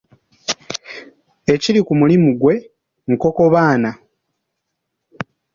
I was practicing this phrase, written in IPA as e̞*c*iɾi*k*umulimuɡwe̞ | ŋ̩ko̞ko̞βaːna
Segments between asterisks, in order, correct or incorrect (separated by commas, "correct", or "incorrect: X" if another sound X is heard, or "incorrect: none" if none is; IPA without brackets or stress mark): correct, correct